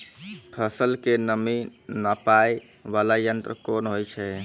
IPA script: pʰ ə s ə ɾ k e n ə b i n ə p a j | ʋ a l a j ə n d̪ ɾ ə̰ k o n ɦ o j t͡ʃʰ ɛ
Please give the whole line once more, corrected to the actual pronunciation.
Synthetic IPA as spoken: pʰ ə s ə l k e n ə m i n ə p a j | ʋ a l a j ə n t̪ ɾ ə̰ k o n ɦ o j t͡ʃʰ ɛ